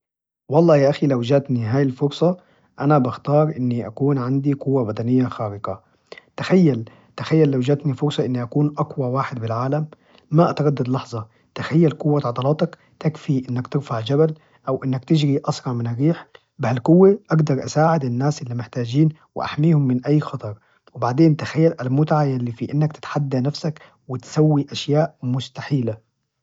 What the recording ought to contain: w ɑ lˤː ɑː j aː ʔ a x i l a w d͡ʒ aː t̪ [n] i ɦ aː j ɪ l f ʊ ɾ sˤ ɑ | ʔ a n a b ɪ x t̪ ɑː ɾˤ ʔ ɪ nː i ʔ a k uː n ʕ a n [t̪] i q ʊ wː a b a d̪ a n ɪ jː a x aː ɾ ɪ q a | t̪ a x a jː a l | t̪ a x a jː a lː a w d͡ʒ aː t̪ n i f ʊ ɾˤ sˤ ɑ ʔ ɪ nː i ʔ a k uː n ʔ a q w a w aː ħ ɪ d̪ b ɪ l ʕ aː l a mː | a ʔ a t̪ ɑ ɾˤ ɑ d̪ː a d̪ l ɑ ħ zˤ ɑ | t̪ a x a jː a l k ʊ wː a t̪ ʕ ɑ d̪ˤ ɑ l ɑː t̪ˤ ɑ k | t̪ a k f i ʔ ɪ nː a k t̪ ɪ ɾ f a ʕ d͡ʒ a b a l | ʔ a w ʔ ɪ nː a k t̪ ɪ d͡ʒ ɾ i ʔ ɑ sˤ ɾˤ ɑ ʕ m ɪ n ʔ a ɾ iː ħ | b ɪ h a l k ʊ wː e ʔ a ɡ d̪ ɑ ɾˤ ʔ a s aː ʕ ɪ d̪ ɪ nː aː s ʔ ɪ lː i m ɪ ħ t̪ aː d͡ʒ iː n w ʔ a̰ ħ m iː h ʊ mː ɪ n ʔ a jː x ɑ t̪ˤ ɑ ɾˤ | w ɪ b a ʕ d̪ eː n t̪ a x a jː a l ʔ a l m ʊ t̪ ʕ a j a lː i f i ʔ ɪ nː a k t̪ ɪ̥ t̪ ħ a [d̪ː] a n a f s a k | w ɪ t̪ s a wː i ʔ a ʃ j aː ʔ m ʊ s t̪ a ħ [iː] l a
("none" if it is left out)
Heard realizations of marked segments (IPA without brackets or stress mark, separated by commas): n, d̪, d̪ː, iː